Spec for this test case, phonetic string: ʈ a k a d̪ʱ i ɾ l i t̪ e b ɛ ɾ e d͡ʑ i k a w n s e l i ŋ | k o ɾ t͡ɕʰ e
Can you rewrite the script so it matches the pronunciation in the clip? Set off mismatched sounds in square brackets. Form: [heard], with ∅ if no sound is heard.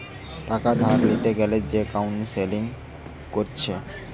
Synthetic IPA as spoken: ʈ a k a d̪ʱ [a] ɾ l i t̪ e [ɡ] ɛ [l] e d͡ʑ [e] k a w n s e l i ŋ | k o ɾ t͡ɕʰ e